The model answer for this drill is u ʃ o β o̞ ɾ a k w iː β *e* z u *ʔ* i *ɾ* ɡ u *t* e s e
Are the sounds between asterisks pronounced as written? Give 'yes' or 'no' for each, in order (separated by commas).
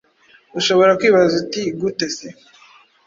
no, no, no, yes